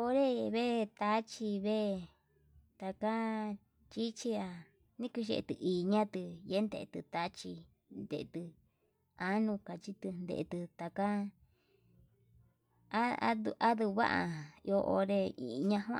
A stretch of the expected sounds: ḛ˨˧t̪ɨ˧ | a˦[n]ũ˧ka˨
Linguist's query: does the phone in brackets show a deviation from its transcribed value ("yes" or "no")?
no